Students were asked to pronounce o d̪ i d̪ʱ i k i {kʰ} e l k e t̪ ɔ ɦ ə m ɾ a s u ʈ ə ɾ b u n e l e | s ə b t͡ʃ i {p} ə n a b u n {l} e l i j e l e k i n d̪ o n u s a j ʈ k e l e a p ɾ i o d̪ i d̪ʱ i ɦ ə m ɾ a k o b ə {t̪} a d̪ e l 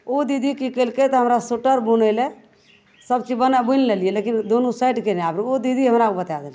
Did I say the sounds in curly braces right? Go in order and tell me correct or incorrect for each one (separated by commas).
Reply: incorrect, incorrect, correct, correct